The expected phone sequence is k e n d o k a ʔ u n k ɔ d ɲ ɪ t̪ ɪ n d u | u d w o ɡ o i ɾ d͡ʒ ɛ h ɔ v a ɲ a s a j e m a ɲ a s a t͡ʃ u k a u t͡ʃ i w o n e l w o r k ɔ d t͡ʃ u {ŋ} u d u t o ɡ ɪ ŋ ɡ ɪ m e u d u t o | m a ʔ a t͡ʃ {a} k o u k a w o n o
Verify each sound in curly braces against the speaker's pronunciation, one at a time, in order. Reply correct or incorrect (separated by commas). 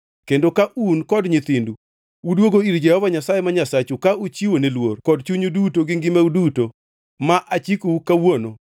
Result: incorrect, incorrect